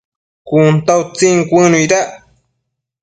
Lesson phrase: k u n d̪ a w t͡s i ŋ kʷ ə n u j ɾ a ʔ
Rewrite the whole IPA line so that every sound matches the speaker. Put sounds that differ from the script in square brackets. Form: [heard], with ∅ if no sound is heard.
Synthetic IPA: k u n [t̪] a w t͡s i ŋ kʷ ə n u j ɾ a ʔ